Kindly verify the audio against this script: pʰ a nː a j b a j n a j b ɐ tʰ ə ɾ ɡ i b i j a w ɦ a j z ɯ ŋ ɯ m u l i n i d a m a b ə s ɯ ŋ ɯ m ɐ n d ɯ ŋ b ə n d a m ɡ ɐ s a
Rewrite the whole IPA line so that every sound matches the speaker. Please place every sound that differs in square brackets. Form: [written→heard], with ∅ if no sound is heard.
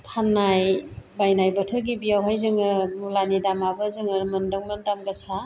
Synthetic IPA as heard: pʰ a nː a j b a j n a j b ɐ tʰ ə ɾ ɡ i b i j a w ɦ a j z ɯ ŋ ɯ m u l [i→a] n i d a m a b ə [s→z] ɯ ŋ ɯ m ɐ n d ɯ ŋ [b→m] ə n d a m ɡ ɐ s a